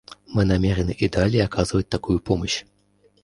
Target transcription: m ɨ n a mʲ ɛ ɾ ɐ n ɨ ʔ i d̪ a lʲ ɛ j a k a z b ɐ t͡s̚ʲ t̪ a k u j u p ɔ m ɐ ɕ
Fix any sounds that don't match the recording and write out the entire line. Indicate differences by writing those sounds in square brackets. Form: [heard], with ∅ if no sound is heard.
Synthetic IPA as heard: m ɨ n a mʲ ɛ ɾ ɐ n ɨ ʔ i d̪ a lʲ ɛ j a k a z [v] ɐ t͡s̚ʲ t̪ a k u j u p ɔ m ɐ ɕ